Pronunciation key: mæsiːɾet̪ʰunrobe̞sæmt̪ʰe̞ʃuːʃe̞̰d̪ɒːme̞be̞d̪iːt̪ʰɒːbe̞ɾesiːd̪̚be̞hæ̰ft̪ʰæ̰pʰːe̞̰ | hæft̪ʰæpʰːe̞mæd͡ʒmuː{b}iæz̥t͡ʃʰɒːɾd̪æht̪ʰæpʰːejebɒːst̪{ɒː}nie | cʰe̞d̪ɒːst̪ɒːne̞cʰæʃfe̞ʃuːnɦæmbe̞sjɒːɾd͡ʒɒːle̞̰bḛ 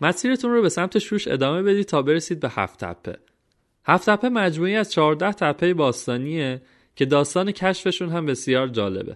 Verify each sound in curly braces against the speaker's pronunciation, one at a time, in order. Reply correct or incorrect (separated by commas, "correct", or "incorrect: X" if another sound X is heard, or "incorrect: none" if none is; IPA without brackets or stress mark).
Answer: incorrect: none, correct